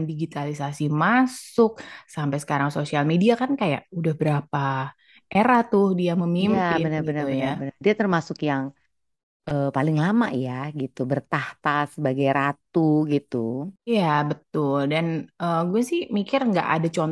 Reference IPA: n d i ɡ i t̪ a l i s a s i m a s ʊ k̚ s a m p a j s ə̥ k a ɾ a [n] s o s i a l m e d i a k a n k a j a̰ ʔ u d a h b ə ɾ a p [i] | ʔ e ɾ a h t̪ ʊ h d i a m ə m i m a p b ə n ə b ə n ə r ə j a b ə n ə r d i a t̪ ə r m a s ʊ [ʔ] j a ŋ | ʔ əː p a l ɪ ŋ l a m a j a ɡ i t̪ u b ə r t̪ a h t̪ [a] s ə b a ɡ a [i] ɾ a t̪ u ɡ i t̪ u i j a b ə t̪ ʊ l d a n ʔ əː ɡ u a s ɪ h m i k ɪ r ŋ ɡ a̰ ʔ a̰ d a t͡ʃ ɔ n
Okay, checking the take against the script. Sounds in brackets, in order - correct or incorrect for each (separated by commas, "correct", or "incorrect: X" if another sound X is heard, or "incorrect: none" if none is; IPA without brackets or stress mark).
incorrect: ŋ, incorrect: a, incorrect: k, correct, incorrect: j